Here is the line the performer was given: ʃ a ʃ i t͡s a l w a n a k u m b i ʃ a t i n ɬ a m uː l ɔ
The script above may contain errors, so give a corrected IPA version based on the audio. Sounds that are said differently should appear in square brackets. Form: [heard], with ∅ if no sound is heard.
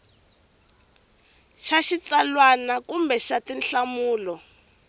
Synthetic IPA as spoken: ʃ a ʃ i t͡s a l w a n a k u m b [ɛ] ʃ a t i n ɬ a m uː l ɔ